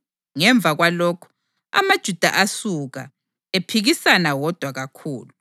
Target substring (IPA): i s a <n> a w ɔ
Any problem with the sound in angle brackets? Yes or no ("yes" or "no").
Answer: no